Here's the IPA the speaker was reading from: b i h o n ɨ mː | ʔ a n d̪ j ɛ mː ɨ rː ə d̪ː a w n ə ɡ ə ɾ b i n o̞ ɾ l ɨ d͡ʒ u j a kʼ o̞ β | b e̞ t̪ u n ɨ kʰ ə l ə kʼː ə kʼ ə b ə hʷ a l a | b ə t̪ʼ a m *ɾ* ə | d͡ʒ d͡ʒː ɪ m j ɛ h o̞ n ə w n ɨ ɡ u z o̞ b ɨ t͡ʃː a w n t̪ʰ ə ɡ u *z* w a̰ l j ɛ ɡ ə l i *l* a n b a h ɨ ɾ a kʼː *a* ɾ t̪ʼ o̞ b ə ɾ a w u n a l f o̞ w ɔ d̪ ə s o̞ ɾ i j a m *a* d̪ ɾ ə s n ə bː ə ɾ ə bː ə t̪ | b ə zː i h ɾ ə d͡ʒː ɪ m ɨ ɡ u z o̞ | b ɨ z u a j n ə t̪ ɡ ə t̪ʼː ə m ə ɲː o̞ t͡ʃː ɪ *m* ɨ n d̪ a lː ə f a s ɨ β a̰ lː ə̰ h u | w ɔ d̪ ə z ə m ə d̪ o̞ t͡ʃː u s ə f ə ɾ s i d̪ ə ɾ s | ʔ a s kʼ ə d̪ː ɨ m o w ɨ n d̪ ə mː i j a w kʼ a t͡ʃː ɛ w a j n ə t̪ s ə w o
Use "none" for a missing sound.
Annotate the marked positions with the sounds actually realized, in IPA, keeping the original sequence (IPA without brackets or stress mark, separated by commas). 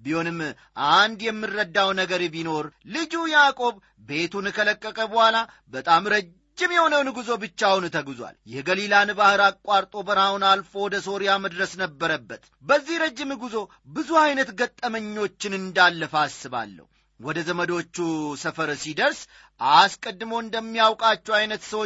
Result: ɾ, z, l, a, ə, n